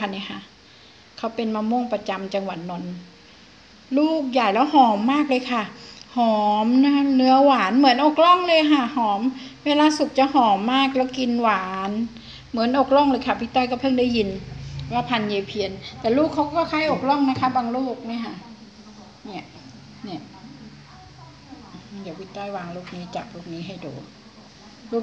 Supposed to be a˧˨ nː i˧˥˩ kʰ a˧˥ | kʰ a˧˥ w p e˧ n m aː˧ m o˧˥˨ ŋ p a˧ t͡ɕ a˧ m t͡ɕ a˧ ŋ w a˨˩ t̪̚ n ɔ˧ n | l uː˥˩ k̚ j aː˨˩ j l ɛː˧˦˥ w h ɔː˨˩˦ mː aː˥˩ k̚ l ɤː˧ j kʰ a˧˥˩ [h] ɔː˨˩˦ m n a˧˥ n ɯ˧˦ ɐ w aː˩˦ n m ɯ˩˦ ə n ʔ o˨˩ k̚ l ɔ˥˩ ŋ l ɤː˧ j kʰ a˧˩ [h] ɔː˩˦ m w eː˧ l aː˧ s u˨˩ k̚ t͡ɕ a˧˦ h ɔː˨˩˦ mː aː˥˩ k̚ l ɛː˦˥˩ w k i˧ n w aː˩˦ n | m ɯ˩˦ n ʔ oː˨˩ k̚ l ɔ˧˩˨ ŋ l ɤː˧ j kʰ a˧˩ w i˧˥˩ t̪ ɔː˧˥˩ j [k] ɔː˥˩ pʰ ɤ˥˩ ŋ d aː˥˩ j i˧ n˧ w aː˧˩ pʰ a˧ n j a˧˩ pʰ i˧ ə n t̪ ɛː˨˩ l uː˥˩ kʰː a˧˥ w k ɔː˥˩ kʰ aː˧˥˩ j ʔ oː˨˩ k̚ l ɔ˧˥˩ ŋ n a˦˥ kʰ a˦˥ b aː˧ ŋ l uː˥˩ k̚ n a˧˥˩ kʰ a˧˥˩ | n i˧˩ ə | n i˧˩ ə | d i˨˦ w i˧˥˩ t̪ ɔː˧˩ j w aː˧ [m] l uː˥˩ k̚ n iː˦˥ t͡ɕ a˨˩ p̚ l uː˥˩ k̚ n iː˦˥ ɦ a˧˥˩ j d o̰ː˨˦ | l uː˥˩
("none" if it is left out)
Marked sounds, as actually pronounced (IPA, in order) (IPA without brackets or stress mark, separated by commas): h, h, k, ŋ